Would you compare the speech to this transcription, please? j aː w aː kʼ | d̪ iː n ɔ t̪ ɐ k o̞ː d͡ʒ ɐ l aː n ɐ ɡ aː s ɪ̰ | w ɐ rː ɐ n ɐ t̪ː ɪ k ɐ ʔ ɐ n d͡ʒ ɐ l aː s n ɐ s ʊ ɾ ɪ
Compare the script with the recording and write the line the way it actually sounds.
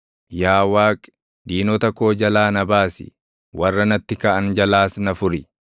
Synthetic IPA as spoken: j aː w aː kʼ | d̪ iː n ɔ t̪ ɐ k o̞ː d͡ʒ ɐ l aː n ɐ b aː s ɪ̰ | w ɐ rː ɐ n ɐ t̪ː ɪ k ɐ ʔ ɐ n d͡ʒ ɐ l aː s n ɐ f ʊ ɾ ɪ